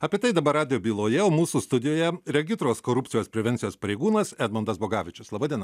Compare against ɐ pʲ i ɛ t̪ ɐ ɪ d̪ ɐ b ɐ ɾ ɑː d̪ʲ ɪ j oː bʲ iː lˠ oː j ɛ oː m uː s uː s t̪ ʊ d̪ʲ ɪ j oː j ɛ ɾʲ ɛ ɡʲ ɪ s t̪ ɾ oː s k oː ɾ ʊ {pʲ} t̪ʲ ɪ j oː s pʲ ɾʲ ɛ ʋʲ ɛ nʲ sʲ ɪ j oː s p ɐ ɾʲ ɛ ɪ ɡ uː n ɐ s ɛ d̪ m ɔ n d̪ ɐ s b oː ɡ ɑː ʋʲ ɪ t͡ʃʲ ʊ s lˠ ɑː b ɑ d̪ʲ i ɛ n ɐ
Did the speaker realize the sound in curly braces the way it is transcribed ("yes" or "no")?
yes